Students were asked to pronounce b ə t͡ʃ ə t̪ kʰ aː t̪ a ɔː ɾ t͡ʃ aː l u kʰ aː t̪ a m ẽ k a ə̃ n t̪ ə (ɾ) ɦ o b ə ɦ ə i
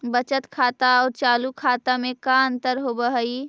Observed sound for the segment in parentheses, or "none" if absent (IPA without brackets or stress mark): ɾ